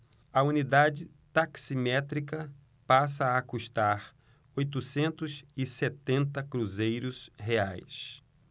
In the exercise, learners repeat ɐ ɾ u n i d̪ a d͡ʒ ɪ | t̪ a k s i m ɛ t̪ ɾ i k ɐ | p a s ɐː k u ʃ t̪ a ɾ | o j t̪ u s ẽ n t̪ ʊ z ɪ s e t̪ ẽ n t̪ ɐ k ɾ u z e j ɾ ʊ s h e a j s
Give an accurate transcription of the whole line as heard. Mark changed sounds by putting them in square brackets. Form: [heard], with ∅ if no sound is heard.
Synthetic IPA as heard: ɐ [∅] u n i d̪ a d͡ʒ ɪ | t̪ a k s i m ɛ t̪ ɾ i k ɐ | p a s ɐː k u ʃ t̪ a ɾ | o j t̪ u s ẽ n t̪ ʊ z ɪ s e t̪ ẽ n t̪ ɐ k ɾ u z e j ɾ ʊ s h e a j s